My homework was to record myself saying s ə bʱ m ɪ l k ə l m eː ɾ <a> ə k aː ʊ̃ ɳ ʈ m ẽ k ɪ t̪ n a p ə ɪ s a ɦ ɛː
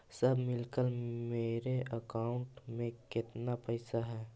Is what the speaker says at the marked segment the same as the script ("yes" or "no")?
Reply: no